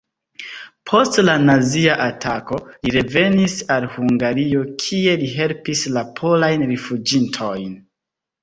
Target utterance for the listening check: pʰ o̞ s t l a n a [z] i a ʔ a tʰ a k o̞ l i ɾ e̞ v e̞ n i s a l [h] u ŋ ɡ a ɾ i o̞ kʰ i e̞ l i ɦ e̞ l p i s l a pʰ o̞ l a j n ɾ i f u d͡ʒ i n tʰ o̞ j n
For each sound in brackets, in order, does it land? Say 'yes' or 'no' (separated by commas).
yes, yes